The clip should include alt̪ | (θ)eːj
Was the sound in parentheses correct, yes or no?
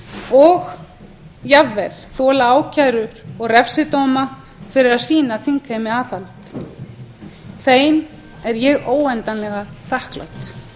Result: yes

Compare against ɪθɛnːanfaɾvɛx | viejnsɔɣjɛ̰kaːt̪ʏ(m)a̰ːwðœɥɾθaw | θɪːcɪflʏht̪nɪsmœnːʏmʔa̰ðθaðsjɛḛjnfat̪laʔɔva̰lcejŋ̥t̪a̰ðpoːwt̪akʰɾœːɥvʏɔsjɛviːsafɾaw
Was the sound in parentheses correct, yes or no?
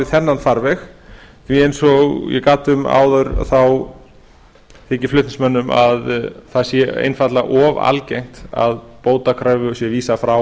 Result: yes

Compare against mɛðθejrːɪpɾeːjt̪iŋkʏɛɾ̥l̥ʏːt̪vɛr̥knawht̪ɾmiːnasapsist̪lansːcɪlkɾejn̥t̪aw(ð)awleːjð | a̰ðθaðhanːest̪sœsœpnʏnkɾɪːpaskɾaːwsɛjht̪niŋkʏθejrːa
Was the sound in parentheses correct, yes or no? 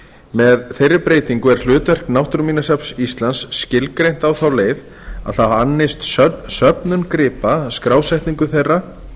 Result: no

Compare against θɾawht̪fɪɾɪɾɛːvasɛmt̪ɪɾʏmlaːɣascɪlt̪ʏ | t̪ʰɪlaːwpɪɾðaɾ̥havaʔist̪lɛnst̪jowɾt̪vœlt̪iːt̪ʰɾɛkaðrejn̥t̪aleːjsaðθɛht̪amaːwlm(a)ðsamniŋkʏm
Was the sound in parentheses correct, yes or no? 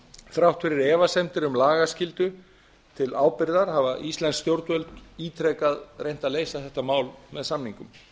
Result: no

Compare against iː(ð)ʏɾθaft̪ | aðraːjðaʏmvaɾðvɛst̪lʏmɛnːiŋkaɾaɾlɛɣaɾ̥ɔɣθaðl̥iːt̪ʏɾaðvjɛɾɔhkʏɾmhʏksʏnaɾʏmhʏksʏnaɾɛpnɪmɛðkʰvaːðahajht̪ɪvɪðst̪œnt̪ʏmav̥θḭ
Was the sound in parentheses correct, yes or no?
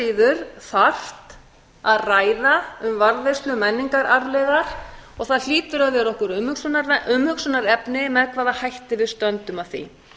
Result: yes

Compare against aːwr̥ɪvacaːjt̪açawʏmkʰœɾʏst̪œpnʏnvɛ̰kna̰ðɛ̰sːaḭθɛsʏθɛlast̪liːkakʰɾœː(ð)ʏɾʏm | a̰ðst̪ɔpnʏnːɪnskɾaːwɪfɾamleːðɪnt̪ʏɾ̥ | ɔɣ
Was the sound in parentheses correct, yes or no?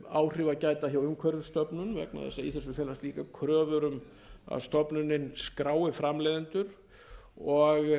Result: no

